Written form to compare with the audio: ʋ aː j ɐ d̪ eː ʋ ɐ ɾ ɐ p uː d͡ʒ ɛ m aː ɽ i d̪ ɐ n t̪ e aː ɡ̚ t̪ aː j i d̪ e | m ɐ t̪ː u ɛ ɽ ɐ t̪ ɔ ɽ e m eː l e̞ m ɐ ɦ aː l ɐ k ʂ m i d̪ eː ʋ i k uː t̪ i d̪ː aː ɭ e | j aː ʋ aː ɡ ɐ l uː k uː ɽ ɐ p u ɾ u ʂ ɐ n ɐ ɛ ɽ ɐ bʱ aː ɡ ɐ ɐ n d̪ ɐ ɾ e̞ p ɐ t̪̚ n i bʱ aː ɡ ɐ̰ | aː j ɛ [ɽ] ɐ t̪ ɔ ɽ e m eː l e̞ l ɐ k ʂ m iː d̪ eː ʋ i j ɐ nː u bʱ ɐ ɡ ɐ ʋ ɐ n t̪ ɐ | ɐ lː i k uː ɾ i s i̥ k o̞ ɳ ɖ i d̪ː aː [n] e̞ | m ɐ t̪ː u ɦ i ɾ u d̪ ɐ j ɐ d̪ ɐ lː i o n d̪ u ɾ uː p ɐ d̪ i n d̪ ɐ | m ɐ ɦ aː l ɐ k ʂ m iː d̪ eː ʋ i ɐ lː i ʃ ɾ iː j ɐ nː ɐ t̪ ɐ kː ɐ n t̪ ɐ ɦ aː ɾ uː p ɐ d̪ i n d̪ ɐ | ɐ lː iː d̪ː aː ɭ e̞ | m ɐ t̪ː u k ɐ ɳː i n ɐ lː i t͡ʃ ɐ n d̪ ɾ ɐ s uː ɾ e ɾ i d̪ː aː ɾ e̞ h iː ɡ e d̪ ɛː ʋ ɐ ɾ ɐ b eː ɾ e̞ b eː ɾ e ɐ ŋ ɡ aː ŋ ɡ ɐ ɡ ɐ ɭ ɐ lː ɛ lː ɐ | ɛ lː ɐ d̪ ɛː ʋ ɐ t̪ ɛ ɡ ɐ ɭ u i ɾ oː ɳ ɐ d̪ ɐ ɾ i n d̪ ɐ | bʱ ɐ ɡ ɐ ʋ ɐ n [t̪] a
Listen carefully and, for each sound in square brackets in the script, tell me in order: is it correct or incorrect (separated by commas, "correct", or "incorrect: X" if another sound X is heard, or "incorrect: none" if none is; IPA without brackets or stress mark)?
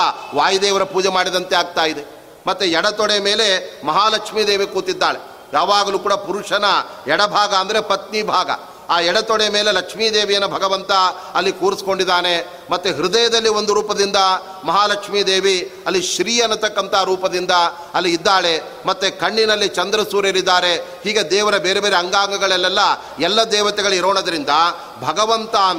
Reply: correct, correct, correct